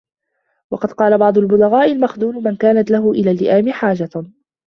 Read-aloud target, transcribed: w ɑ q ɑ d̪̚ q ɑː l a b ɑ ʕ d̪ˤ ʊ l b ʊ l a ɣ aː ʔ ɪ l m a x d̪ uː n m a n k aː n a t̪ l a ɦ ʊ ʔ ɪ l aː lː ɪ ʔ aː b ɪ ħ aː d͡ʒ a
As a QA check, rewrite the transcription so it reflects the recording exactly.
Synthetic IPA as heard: w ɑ q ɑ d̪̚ q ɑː l a b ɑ ʕ d̪ˤ ʊ l b ʊ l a ɣ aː ʔ ɪ l m a x d̪ uː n m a n k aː n a t̪ l a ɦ ʊ ʔ ɪ l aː lː ɪ ʔ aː m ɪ ħ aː d͡ʒ a